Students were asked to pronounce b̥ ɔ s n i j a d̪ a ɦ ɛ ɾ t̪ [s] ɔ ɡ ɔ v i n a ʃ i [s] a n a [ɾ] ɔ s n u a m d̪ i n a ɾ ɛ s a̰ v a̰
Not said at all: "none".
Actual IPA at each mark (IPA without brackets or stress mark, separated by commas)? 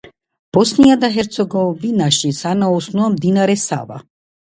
s, s, none